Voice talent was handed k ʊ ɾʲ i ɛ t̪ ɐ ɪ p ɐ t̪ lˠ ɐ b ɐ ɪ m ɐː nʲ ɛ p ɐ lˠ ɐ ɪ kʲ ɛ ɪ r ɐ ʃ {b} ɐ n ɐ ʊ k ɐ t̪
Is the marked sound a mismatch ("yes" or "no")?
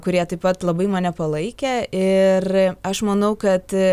yes